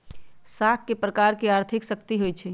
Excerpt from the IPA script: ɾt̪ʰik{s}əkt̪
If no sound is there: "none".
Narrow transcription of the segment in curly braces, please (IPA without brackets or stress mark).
s